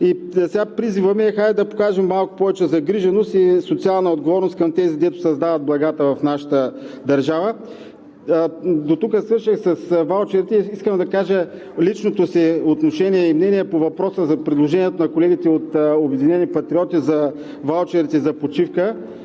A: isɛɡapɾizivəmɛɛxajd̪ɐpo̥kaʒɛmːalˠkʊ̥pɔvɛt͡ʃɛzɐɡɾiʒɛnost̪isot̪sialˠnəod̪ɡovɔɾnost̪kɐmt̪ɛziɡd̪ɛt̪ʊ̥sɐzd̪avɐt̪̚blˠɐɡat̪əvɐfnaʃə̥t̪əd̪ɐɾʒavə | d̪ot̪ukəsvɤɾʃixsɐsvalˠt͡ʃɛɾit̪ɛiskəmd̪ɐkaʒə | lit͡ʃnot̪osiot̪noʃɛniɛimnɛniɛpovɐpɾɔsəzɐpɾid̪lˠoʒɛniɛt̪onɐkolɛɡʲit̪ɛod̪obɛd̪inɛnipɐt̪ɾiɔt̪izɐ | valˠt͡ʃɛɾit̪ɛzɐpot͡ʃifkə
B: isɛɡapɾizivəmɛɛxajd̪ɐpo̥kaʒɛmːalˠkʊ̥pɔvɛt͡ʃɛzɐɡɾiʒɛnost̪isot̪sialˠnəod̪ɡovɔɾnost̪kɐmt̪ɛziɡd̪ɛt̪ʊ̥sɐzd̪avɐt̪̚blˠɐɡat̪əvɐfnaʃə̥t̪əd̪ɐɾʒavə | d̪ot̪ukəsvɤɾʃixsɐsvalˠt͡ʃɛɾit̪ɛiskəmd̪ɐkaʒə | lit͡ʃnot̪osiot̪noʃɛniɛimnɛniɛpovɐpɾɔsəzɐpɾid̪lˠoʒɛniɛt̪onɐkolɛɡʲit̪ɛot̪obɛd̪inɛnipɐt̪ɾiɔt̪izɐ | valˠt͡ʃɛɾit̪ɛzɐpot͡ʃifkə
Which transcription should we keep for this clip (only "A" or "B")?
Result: B